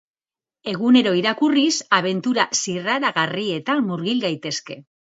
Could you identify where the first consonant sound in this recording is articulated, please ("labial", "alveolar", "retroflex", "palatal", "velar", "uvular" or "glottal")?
velar